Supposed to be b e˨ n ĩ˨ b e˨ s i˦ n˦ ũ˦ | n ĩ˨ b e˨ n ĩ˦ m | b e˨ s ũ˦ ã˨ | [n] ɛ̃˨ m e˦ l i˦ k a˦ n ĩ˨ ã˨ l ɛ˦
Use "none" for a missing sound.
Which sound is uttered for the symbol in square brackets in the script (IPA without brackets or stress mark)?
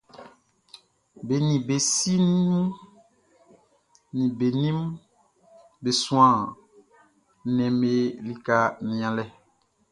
n